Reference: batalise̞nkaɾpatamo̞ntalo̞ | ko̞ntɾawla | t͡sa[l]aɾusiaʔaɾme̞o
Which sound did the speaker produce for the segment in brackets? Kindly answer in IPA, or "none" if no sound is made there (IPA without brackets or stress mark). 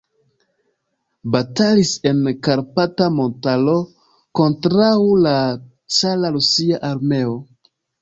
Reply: l